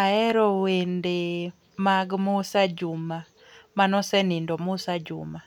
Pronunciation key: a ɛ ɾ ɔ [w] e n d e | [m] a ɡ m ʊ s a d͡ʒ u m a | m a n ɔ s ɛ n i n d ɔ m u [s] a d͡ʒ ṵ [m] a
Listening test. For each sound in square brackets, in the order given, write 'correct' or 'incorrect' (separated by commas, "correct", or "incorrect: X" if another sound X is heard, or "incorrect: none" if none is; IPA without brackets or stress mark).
correct, correct, correct, correct